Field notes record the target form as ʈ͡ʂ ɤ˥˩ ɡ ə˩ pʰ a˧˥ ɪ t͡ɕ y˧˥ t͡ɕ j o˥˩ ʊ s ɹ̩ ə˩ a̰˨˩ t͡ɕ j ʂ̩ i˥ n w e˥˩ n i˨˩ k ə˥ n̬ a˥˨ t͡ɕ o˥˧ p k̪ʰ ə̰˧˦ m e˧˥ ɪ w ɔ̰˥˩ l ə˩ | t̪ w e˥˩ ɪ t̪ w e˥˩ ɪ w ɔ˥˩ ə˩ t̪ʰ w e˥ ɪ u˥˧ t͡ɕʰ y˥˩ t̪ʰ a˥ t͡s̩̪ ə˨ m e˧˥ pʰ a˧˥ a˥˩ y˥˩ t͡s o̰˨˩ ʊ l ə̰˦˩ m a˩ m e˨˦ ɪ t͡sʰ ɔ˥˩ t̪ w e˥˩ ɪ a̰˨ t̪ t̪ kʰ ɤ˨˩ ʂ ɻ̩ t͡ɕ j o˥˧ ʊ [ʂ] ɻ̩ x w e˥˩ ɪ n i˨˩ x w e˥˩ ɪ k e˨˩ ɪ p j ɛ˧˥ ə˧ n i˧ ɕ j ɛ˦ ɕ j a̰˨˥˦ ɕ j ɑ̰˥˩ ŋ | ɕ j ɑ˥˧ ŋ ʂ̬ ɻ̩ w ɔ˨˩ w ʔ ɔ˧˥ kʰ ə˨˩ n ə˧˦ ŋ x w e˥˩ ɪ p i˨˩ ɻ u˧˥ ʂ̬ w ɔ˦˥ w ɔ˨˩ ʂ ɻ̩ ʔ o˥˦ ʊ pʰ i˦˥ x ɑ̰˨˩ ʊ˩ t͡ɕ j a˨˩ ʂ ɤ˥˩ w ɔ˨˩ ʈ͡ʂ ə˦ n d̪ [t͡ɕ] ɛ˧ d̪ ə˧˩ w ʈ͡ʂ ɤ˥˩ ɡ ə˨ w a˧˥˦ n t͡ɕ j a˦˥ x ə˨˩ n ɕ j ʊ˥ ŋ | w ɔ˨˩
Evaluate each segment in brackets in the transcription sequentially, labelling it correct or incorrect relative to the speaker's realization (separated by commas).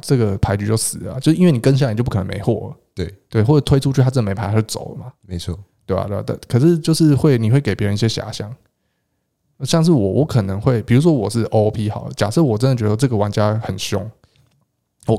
correct, correct